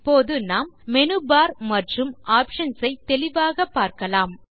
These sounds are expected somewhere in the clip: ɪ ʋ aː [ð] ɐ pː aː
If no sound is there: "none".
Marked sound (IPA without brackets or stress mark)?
ɣ